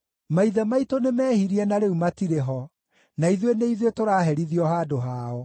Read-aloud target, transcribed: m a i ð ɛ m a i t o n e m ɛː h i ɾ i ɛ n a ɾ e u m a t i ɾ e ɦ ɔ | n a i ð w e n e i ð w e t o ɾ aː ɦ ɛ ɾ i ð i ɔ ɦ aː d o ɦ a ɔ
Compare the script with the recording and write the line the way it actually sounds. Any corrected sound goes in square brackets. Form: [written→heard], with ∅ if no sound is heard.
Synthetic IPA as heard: m a i ð ɛ m a i t o n e m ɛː h i ɾ i ɛ n a ɾ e u m a t i ɾ e ɦ ɔ | n a i ð w e n e i ð w e t o ɾ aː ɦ ɛ ɾ i ð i ɔ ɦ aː d o ɦ a ɔ